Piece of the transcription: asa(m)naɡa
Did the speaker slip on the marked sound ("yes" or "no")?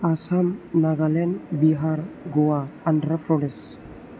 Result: no